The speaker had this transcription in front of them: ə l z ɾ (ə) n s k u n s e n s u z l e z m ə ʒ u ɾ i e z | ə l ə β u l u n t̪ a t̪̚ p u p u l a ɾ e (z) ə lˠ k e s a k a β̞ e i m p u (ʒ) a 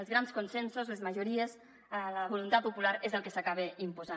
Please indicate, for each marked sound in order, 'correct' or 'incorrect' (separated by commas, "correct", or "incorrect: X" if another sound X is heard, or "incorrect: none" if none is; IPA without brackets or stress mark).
incorrect: a, correct, incorrect: z